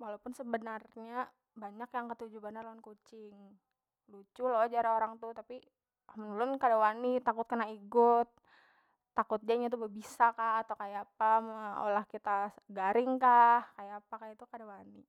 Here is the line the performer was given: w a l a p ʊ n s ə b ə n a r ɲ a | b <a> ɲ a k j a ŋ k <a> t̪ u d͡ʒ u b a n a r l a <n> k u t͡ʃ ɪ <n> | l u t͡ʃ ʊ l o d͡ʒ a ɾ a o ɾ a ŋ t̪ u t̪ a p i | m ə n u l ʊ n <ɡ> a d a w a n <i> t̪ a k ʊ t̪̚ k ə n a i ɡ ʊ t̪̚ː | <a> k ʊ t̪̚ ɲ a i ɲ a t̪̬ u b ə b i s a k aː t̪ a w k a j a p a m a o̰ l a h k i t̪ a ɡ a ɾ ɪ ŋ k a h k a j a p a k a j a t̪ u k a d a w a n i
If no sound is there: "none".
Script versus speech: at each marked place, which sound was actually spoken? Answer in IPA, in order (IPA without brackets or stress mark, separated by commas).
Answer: a, ə, n, ŋ, k, i, a